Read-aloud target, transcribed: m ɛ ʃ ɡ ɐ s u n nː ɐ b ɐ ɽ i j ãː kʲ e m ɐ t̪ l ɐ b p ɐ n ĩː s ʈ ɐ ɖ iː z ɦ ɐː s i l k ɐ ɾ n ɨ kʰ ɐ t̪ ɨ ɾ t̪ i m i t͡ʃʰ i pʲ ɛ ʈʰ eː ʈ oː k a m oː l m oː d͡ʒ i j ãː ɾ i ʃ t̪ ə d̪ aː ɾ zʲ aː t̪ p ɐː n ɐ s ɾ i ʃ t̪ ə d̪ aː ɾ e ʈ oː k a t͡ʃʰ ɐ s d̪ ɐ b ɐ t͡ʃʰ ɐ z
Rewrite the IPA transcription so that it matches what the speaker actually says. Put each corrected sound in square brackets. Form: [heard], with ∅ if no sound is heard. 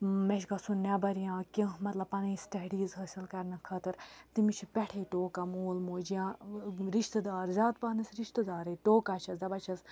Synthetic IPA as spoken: m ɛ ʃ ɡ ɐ s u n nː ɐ b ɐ [ɾ] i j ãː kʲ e m ɐ t̪ l ɐ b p ɐ n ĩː s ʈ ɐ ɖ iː z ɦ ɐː s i l k ɐ ɾ n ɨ kʰ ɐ t̪ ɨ ɾ t̪ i m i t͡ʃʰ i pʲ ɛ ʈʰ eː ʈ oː k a m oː l m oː d͡ʒ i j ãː ɾ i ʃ t̪ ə d̪ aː ɾ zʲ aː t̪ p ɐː n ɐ s ɾ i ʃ t̪ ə d̪ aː ɾ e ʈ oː k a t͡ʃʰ ɐ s d̪ ɐ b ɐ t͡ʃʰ ɐ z